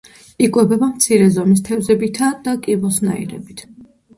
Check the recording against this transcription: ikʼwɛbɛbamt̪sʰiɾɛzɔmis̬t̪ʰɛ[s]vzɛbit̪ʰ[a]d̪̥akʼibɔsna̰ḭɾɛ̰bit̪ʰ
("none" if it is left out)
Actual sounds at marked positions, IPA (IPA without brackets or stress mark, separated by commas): none, a